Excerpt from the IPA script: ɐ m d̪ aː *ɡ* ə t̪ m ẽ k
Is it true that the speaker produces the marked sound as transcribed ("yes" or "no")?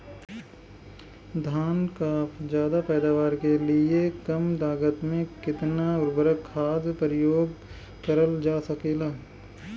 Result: yes